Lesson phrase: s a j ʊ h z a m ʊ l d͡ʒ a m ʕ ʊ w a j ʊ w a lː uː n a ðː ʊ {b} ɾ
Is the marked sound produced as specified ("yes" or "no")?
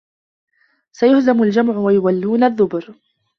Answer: yes